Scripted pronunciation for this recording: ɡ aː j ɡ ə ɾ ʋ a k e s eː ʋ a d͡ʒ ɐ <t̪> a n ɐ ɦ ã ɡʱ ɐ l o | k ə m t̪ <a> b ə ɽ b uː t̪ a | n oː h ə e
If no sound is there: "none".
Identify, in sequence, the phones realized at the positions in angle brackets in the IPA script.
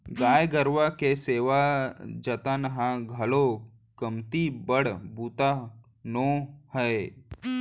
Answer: t̪, i

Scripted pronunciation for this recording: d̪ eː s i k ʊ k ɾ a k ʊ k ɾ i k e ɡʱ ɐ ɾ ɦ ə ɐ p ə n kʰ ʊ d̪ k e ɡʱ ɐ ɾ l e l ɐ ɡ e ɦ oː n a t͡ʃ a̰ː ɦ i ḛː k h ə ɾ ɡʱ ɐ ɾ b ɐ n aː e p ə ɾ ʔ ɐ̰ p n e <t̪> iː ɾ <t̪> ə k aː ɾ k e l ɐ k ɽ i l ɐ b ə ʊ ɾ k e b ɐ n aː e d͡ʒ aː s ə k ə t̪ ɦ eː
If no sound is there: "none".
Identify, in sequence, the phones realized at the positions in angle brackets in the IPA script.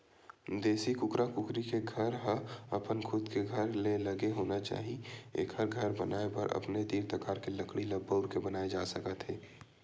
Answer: d̪, t̪

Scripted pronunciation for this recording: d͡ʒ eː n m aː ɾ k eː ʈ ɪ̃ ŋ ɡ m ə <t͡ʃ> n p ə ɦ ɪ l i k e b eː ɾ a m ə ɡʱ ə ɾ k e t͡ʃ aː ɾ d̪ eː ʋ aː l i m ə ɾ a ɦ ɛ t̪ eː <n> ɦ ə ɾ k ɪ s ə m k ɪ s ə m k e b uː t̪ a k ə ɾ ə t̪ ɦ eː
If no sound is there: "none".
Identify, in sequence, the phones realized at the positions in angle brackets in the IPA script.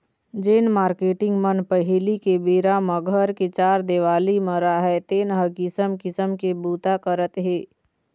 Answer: none, n

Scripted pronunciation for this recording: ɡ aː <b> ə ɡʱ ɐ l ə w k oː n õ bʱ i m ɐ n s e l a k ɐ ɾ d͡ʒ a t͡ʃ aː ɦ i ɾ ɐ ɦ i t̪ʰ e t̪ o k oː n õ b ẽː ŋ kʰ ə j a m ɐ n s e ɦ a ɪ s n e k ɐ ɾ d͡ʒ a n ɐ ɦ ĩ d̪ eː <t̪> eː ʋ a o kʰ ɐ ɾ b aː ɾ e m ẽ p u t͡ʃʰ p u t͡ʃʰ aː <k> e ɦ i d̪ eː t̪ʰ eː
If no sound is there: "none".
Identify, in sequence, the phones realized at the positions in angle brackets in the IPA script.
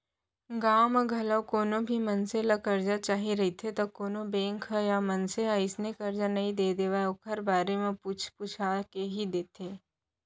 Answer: m, d̪, k

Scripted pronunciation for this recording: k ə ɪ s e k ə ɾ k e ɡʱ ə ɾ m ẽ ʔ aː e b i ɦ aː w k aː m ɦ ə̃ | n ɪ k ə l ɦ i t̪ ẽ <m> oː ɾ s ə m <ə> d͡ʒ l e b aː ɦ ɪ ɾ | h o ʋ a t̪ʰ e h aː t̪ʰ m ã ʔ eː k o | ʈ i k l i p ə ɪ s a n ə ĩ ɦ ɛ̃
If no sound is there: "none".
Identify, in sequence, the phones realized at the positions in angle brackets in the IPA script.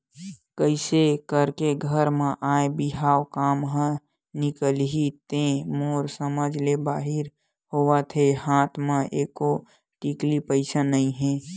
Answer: m, ə

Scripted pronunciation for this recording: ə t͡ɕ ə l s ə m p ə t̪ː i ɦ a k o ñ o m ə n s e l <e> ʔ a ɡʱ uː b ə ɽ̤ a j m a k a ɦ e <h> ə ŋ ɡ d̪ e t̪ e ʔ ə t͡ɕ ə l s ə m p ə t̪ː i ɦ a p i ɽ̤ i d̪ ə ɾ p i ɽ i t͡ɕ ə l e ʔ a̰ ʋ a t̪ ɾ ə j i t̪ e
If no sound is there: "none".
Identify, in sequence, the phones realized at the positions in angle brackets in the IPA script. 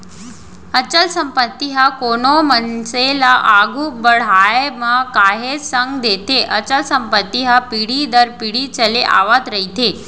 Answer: a, s

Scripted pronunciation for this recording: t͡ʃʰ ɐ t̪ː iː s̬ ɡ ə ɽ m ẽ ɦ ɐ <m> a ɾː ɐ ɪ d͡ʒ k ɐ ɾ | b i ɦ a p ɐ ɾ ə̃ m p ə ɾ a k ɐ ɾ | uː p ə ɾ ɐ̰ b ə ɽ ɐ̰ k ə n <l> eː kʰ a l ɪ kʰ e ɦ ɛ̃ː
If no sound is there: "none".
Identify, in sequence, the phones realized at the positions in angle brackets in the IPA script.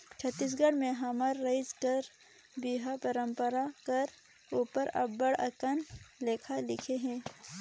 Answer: m, l

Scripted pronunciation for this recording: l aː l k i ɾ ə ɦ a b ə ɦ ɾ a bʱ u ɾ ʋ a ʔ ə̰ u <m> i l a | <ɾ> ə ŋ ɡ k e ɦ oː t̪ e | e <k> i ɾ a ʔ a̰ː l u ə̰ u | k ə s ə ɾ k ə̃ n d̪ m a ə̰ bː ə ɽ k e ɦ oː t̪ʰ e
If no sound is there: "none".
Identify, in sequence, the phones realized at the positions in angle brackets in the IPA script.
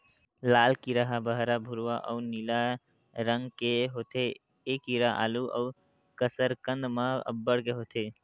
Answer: n, ɾ, k

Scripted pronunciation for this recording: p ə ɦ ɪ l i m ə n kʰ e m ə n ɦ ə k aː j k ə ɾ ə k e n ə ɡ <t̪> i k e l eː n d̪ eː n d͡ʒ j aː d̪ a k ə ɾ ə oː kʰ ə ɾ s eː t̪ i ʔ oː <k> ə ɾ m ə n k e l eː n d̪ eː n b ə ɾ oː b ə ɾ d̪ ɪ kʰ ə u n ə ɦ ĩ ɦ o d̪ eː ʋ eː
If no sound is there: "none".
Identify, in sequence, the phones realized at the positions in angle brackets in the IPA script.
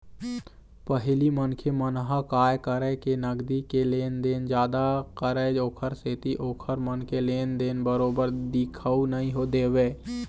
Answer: d̪, kʰ

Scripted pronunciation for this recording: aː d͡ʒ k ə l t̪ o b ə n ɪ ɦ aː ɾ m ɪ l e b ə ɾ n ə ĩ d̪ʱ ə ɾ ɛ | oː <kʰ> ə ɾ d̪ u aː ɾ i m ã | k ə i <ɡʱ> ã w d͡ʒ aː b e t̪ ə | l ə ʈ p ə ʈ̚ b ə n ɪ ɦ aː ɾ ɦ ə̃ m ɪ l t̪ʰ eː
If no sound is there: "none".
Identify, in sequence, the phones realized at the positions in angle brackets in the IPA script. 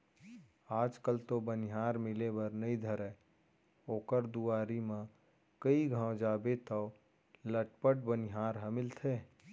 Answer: k, ɡʱ

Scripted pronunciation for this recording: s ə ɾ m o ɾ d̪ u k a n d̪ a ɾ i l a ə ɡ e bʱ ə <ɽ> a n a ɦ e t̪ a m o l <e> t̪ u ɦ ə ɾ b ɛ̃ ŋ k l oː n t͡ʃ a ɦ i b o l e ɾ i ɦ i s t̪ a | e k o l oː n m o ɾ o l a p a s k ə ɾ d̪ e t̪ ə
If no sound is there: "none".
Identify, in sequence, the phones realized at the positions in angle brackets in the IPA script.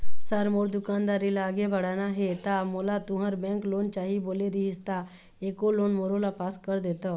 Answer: ɽ, a

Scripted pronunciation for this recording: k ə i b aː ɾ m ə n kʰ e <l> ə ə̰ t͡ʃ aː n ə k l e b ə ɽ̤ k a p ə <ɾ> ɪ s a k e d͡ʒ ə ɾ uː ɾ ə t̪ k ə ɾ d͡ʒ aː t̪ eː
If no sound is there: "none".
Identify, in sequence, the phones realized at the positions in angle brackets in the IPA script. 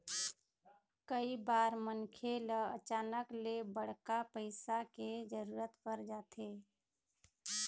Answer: l, none

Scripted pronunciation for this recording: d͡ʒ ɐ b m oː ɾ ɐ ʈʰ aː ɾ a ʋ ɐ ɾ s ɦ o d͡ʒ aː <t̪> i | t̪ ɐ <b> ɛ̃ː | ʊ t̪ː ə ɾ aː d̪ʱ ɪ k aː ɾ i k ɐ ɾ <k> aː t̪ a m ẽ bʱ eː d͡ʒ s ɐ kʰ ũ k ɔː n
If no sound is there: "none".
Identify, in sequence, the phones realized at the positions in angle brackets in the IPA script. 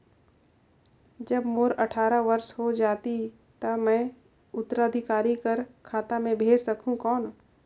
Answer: t̪, m, kʰ

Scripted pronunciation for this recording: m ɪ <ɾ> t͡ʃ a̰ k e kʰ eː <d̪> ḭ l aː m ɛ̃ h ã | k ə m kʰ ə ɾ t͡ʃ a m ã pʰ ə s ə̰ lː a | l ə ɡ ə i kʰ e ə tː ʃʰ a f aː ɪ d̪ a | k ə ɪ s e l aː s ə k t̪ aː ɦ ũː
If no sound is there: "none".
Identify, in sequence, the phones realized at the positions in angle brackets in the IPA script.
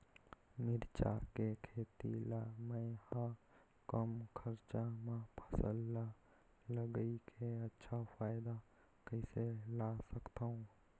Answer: ɾ, t̪

